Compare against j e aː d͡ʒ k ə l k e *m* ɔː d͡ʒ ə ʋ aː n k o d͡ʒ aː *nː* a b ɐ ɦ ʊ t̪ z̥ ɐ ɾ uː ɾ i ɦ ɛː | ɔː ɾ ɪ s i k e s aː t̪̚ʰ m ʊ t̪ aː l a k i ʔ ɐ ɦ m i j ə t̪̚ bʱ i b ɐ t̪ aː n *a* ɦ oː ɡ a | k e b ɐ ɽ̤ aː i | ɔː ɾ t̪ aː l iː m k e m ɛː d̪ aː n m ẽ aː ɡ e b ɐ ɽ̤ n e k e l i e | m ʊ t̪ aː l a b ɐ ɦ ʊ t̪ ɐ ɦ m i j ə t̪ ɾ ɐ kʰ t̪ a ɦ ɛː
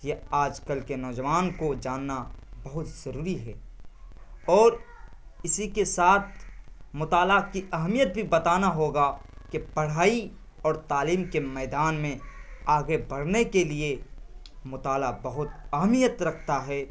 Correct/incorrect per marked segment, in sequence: incorrect: n, correct, correct

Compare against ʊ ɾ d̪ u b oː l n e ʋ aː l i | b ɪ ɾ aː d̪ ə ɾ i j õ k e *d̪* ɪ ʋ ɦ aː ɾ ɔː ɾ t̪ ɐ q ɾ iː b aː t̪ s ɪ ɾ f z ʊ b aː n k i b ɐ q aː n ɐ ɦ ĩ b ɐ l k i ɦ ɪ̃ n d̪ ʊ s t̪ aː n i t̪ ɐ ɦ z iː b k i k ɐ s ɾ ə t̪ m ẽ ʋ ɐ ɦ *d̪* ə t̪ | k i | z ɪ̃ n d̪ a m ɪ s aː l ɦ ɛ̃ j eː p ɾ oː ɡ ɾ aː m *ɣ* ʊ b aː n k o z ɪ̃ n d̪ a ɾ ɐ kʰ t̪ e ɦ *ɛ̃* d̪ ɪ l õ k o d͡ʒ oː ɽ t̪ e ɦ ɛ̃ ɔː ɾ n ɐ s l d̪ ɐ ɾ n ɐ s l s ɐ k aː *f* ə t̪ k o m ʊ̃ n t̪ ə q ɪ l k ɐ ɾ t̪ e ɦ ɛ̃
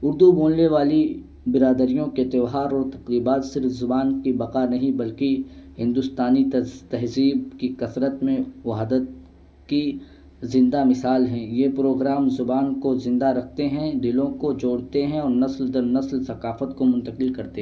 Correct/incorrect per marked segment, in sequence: incorrect: t̪, correct, incorrect: z, correct, correct

